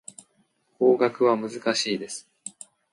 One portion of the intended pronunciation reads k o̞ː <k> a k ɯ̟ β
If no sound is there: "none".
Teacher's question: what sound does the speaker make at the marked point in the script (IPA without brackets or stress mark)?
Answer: ɡ